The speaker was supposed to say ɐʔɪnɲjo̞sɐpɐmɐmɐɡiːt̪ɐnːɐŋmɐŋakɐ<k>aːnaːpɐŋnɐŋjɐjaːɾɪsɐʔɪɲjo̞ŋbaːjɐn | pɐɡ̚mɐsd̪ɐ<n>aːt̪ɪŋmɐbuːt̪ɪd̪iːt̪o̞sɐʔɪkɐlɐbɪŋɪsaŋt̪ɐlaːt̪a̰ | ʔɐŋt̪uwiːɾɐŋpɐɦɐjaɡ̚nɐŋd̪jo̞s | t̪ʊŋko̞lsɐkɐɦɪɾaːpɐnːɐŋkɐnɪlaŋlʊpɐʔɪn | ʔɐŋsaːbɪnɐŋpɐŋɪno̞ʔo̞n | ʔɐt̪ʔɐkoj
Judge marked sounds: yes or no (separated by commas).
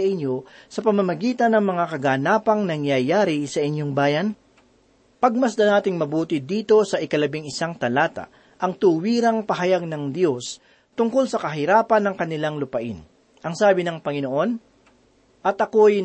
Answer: no, yes